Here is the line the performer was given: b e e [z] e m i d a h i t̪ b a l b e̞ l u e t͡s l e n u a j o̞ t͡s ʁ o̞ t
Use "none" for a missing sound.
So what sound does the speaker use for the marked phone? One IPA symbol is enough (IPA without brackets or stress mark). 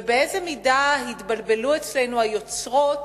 z